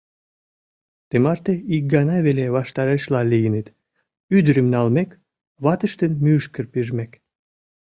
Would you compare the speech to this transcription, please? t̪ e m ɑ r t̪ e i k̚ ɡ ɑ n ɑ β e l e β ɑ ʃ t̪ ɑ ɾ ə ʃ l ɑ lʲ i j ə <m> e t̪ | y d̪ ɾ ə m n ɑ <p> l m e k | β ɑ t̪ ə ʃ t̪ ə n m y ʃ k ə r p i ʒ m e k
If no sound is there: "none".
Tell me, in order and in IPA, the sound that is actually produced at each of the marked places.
n, none

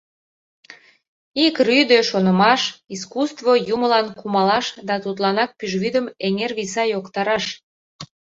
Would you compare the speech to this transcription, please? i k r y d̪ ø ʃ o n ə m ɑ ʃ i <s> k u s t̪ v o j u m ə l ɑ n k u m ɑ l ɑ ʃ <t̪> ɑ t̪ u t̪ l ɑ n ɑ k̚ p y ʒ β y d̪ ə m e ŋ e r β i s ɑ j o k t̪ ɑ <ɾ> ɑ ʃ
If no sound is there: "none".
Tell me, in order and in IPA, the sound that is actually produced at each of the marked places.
s, d̪, ɾ

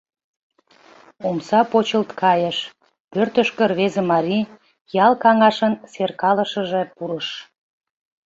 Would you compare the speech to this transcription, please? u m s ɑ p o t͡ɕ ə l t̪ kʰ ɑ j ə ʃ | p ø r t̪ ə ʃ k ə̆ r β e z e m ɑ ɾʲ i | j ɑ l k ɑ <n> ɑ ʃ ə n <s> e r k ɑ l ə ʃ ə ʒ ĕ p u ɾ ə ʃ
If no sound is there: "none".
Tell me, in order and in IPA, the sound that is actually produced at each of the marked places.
ŋ, s

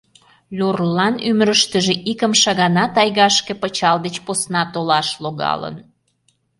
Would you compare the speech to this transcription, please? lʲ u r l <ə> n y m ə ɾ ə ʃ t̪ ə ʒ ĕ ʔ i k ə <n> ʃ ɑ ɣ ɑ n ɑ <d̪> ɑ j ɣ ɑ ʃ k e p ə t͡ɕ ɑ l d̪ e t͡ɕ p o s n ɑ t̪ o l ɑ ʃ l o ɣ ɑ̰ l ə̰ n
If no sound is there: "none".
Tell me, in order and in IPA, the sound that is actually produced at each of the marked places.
ɑ, m, t̪

